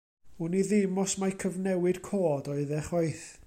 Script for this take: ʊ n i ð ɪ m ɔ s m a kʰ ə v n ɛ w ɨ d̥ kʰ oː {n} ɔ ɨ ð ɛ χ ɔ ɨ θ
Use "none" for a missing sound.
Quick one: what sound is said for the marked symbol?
d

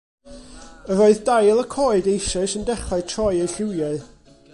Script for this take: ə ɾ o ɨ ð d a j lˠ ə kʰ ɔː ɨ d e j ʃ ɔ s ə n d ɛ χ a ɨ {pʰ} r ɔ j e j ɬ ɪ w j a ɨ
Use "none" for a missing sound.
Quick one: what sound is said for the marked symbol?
tʰ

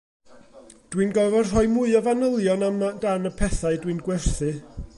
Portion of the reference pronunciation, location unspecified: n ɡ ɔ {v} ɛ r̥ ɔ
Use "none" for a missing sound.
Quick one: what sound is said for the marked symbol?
v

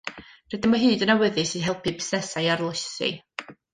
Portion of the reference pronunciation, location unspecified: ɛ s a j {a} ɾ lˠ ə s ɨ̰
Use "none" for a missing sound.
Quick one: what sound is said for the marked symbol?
a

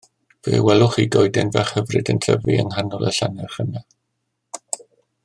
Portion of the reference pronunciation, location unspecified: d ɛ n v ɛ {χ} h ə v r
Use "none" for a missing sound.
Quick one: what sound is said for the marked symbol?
χ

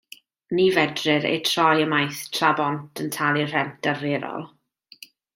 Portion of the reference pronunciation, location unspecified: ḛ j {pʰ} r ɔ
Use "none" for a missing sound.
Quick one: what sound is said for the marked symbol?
tʰ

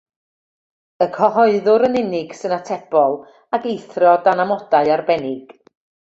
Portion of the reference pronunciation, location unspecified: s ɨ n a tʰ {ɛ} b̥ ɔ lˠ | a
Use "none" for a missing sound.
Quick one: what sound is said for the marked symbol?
ɛ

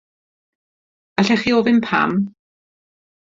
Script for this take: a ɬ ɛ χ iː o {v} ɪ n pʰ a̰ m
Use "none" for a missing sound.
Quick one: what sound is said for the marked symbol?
v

